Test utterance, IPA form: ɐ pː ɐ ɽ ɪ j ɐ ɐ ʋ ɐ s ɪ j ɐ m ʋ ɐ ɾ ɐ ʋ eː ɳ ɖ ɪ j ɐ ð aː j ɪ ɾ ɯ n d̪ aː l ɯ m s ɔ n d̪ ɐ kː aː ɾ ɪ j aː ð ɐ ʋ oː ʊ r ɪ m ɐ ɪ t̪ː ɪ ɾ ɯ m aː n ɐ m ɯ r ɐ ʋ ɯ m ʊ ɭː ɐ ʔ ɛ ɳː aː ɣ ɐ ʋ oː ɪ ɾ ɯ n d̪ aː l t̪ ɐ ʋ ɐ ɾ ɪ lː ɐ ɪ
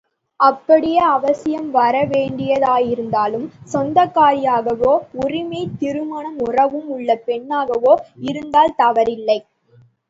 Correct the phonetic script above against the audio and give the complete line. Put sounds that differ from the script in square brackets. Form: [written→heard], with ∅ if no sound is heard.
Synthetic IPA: ɐ pː ɐ ɽ ɪ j ɐ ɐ ʋ ɐ s ɪ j ɐ m ʋ ɐ ɾ ɐ ʋ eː ɳ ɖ ɪ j ɐ ð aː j ɪ ɾ ɯ n d̪ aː l ɯ m s ɔ n d̪ ɐ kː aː ɾ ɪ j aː [ð→ɣ] ɐ ʋ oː ʊ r ɪ m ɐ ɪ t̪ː ɪ ɾ ɯ m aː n ɐ m [ɯ→ʊ] r ɐ ʋ ɯ m ʊ ɭː ɐ [ʔ→p] ɛ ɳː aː ɣ ɐ ʋ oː ɪ ɾ ɯ n d̪ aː l t̪ ɐ ʋ ɐ ɾ ɪ lː ɐ ɪ